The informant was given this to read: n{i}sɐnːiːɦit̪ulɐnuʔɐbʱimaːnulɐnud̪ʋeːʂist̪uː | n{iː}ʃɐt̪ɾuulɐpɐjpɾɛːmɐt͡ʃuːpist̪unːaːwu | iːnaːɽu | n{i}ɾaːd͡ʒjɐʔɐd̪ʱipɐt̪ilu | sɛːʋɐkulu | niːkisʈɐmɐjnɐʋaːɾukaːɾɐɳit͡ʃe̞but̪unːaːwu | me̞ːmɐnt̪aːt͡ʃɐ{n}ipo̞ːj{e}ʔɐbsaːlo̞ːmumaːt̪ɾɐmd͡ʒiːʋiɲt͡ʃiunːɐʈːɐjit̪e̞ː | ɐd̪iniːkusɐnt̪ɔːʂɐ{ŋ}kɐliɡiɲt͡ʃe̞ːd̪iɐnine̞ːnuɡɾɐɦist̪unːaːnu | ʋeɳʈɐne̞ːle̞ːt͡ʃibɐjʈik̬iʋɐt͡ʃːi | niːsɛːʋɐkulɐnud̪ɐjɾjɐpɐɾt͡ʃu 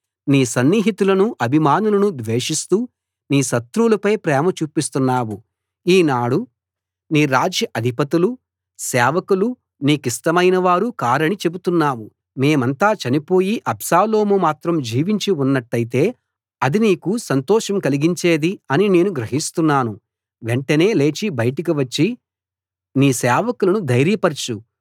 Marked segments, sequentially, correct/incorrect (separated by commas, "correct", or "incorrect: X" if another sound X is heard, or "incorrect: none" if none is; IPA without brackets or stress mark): incorrect: iː, correct, incorrect: iː, correct, incorrect: i, incorrect: m